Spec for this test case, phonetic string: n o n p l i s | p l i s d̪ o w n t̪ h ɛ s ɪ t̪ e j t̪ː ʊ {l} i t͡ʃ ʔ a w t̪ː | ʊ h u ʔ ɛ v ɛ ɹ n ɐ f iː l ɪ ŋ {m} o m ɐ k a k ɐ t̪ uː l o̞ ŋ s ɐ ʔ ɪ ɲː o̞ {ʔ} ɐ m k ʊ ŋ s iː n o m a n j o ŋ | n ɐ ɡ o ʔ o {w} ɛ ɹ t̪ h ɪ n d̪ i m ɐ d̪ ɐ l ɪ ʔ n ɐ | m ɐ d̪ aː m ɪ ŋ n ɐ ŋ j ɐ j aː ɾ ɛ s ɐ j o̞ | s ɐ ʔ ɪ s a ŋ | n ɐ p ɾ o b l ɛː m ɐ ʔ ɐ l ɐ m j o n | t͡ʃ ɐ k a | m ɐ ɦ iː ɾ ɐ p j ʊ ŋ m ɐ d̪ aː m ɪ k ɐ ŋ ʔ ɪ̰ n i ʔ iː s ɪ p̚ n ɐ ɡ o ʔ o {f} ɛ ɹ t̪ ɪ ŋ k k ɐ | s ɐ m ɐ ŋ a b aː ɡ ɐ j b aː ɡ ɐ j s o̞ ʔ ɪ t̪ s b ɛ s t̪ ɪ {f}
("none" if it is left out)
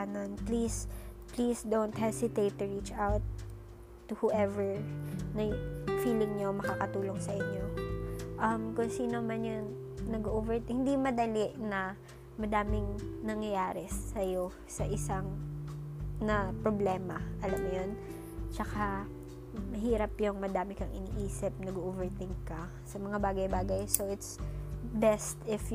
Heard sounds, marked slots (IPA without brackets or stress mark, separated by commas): ɹ, ɲ, ʔ, v, v, f